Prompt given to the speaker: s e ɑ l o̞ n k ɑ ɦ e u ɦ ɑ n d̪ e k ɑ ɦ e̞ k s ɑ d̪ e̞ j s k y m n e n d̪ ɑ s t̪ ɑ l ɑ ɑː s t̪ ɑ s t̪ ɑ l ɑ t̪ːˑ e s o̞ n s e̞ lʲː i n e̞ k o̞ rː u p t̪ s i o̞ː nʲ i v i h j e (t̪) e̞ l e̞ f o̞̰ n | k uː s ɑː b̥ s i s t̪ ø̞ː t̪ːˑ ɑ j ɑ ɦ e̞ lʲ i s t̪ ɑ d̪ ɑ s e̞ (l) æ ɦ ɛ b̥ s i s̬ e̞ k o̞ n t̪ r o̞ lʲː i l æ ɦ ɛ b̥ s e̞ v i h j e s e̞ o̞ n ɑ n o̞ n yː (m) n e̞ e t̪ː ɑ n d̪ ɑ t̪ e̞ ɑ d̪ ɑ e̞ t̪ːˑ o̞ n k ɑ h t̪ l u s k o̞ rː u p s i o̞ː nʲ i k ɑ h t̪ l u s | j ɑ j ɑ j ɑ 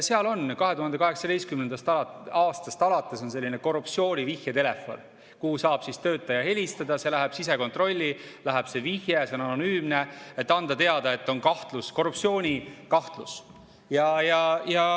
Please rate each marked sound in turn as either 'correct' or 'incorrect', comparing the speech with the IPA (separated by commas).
correct, correct, correct